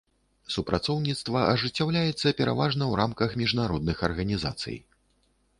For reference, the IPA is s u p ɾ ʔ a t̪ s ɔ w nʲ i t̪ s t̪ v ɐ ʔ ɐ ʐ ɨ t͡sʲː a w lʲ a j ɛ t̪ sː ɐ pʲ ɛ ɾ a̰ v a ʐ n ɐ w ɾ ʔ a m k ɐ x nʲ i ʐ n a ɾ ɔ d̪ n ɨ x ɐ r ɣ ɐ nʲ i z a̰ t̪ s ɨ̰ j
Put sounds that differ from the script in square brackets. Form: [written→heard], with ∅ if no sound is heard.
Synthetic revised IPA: s u p ɾ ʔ a t̪ s ɔ w nʲ i t̪ s t̪ v ɐ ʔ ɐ ʐ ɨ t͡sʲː a w lʲ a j ɛ t̪ sː ɐ pʲ ɛ ɾ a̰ v a ʐ n ɐ w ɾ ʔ a m k ɐ x [nʲ→mʲ] i ʐ n a ɾ ɔ d̪ n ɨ x ɐ r ɣ ɐ nʲ i z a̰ t̪ s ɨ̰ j